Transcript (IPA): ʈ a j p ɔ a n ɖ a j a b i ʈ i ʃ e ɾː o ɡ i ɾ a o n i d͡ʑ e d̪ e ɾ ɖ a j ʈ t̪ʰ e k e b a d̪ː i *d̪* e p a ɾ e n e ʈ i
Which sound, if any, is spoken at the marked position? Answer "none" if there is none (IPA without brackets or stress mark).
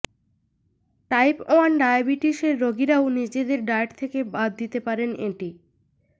t̪